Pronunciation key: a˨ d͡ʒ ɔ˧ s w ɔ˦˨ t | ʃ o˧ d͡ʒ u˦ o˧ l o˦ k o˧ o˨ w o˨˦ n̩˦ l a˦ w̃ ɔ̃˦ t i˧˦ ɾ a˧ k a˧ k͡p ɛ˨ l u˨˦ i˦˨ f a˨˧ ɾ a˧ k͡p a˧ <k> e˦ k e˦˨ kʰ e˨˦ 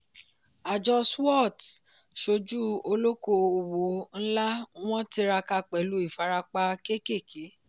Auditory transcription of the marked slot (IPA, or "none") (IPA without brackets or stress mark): k